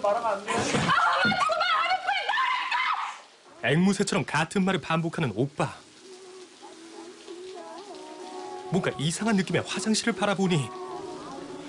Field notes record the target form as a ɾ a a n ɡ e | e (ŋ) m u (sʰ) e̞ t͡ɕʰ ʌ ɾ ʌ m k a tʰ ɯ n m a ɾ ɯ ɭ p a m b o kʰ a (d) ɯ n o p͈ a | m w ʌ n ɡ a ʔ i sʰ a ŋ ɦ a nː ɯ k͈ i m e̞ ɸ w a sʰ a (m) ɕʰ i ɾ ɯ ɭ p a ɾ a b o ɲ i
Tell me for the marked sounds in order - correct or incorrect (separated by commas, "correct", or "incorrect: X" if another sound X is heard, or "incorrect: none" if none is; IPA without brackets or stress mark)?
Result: correct, correct, incorrect: n, incorrect: ŋ